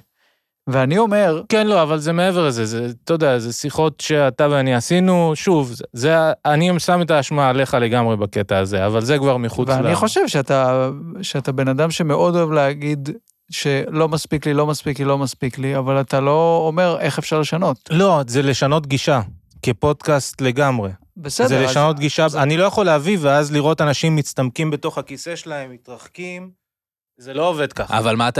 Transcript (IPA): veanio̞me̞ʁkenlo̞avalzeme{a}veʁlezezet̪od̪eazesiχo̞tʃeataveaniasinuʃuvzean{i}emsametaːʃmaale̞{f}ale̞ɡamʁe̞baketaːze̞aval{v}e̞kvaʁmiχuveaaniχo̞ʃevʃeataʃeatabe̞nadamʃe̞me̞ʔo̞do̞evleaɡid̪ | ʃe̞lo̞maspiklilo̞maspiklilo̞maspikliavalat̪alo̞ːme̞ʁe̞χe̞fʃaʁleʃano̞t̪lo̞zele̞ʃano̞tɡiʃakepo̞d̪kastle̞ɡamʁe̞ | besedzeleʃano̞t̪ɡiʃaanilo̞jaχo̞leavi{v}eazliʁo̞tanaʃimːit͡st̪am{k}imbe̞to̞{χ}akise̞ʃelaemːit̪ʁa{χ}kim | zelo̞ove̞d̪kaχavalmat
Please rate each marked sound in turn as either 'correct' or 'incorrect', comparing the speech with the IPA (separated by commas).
incorrect, correct, incorrect, incorrect, correct, correct, correct, correct